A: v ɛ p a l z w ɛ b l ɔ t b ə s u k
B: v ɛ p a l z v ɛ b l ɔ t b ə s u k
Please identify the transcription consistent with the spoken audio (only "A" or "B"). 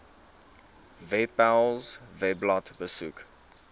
B